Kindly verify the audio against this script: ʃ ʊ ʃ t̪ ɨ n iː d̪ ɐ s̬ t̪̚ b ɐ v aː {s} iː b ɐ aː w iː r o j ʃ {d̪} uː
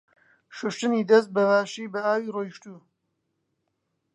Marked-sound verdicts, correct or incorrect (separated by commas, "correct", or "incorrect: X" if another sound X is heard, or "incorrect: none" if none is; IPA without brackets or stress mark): incorrect: ʃ, incorrect: t̪